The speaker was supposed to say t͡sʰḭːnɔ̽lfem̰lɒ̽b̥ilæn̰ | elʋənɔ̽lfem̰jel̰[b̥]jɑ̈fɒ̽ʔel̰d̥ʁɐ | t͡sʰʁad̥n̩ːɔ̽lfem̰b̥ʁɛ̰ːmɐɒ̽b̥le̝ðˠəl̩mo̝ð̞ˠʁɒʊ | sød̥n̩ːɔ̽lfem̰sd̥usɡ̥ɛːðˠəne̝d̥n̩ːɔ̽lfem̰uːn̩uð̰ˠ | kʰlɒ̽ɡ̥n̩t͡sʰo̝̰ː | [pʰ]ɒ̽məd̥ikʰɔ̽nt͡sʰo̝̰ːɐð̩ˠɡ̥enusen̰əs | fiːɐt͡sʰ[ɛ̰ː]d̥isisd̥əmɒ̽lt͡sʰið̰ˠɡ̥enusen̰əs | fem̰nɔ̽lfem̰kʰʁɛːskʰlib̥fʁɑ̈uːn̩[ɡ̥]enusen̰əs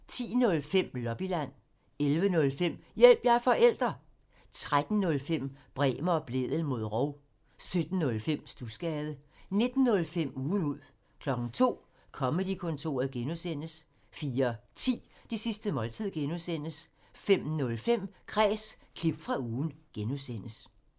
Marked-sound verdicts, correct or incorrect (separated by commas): correct, incorrect, incorrect, correct